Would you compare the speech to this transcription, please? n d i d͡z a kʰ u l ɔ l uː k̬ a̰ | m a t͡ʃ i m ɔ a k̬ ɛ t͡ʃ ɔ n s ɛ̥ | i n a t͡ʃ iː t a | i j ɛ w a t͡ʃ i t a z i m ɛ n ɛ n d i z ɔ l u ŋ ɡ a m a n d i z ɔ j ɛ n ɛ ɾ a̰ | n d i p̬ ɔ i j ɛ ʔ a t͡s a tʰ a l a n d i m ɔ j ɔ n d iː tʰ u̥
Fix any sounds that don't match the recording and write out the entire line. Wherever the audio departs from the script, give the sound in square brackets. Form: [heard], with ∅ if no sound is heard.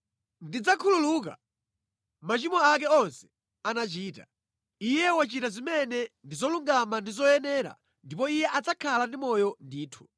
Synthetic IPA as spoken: n d i d͡z a kʰ u l [u] l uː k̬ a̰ | m a t͡ʃ i m ɔ a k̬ ɛ [∅] ɔ n s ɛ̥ | [a] n a t͡ʃ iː t a | i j ɛ w a t͡ʃ i t a z i m ɛ n ɛ n d i z ɔ l u ŋ ɡ a m a n d i z ɔ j ɛ n ɛ ɾ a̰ | n d i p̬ ɔ i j ɛ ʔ a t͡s a [kʰ] a l a n d i m ɔ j ɔ n d iː tʰ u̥

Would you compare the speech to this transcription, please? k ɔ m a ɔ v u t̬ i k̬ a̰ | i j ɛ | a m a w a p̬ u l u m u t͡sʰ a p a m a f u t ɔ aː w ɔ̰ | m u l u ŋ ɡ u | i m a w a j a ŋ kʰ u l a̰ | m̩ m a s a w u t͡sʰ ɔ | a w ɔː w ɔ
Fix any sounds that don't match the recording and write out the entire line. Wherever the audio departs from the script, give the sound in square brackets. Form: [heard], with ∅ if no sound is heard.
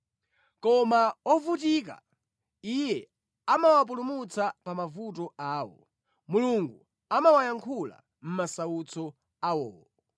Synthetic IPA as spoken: k ɔ m a ɔ v u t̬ i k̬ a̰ | i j ɛ | a m a w a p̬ u l u m u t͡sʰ a p a m a [v] u t ɔ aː w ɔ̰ | m u l u ŋ ɡ u | [a] m a w a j a ŋ kʰ u l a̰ | m̩ m a s a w u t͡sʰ ɔ | a w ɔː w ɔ

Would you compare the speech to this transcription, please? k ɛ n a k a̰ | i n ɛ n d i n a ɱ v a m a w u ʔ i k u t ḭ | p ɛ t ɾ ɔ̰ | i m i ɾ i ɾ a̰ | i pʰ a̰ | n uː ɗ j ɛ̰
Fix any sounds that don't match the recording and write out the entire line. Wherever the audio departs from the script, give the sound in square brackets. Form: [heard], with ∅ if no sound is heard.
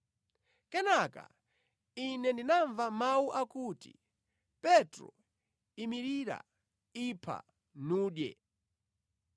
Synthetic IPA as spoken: k ɛ n a k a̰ | i n ɛ n d i n a ɱ v a m a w u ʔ [a] k u t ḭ | p ɛ t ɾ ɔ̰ | i m i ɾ i ɾ a̰ | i pʰ a̰ | n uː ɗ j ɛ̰

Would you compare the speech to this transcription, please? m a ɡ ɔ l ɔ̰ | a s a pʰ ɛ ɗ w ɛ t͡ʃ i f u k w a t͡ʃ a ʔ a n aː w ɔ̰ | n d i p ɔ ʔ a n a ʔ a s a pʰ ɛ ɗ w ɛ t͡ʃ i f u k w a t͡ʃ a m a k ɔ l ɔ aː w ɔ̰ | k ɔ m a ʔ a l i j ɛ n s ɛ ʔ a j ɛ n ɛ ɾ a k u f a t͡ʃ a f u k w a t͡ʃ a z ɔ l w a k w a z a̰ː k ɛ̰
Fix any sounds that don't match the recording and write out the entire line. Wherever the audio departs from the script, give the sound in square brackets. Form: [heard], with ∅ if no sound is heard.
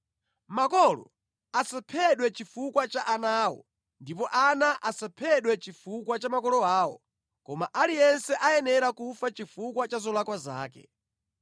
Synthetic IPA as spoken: m a [k] ɔ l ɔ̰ | a s a pʰ ɛ ɗ w ɛ t͡ʃ i f u k w a t͡ʃ a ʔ a n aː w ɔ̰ | n d i p ɔ ʔ a n a ʔ a s a pʰ ɛ ɗ w ɛ t͡ʃ i f u k w a t͡ʃ a m a k ɔ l ɔ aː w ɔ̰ | k ɔ m a ʔ a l i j ɛ n s ɛ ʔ a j ɛ n ɛ ɾ a k u f a t͡ʃ [i] f u k w a t͡ʃ a z ɔ l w a k w a z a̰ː k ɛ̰

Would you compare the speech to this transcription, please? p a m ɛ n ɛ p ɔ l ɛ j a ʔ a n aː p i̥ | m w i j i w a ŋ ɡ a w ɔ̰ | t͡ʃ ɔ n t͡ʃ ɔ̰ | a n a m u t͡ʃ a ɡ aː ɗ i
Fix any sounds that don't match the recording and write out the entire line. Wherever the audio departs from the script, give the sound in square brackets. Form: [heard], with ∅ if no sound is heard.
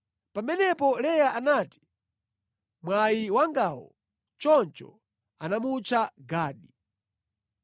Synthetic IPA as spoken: p a m ɛ n ɛ p ɔ l ɛ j a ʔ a n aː [t] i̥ | m w [a] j i w a ŋ ɡ a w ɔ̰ | t͡ʃ ɔ n t͡ʃ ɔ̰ | a n a m u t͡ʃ a ɡ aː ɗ i

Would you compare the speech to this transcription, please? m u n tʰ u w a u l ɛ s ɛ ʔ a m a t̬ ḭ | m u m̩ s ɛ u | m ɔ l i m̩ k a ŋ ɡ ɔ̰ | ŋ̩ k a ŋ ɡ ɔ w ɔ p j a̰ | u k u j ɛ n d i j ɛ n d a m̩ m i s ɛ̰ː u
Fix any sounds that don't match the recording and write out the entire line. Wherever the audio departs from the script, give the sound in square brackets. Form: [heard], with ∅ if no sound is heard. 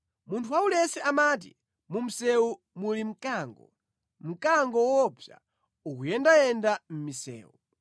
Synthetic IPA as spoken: m u n tʰ u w a u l ɛ s ɛ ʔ a m a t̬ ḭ | m u m̩ s ɛ u | m [u] l i m̩ k a ŋ ɡ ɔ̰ | [m̩] k a ŋ ɡ ɔ w ɔ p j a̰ | u k u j ɛ n d [a] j ɛ n d a m̩ m i s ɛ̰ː u

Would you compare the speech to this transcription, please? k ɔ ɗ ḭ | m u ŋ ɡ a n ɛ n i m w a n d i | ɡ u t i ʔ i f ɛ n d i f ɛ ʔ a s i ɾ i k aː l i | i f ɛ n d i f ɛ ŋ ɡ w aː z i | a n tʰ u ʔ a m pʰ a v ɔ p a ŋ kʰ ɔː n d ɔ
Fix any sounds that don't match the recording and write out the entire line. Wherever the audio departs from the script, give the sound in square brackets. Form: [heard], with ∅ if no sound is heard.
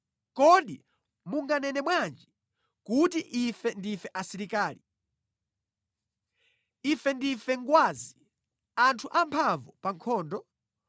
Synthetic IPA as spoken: k ɔ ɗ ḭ | m u ŋ ɡ a n ɛ n [ɛ] m w a n [d͡ʒ] i | [k] u t i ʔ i f ɛ n d i f ɛ ʔ a s i ɾ i k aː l i | i f ɛ n d i f ɛ ŋ ɡ w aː z i | a n tʰ u ʔ a m pʰ a v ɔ p a ŋ kʰ ɔː n d ɔ

